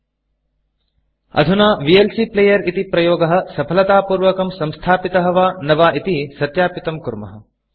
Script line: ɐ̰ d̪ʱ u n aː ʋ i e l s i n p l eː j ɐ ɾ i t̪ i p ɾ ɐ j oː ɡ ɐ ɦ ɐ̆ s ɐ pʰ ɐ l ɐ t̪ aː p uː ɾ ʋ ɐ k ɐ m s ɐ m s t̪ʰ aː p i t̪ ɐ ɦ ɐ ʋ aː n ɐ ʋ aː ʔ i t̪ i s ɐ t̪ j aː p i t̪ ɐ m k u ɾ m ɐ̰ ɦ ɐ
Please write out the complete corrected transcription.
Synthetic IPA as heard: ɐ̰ d̪ʱ u n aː ʋ i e l s i p l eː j ɐ ɾ i t̪ i p ɾ ɐ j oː ɡ ɐ ɦ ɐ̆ s ɐ pʰ ɐ l ɐ t̪ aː p uː ɾ ʋ ɐ k ɐ m s ɐ m s t̪ʰ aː p i t̪ ɐ ɦ ɐ ʋ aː n ɐ ʋ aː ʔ i t̪ i s ɐ t̪ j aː p i t̪ ɐ m k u ɾ m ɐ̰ ɦ ɐ